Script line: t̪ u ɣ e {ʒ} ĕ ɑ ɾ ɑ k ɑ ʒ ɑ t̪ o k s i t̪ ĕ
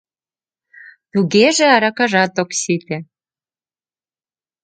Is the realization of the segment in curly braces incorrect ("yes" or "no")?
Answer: no